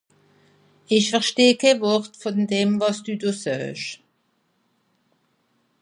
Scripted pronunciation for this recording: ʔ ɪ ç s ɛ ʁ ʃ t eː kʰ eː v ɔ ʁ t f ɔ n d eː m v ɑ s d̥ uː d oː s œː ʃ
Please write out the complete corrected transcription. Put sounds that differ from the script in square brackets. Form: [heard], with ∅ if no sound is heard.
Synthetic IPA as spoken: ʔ ɪ ç [f] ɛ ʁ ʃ t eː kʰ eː v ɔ ʁ t f ɔ n d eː m v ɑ s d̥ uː d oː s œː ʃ